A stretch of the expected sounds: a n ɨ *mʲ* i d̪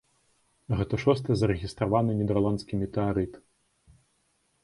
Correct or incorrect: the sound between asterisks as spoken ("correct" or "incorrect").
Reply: incorrect